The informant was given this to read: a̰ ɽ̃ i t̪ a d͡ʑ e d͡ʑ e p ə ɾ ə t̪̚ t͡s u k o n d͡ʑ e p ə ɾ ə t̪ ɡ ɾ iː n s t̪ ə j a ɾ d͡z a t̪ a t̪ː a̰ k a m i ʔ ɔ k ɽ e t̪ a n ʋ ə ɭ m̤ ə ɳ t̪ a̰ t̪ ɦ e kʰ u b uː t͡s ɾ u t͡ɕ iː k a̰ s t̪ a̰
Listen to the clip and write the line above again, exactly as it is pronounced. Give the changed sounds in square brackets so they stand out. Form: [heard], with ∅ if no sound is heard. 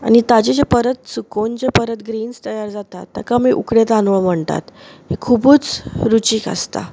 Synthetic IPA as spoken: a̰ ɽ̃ i t̪ a d͡ʑ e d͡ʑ e p ə ɾ ə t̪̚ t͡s u k o n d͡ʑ e p ə ɾ ə t̪ ɡ ɾ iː n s t̪ ə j a ɾ d͡z a t̪ a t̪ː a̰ k a m i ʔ [u] k ɽ e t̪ a n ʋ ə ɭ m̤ ə ɳ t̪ a̰ t̪ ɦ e kʰ u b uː t͡s ɾ u t͡ɕ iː k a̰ s t̪ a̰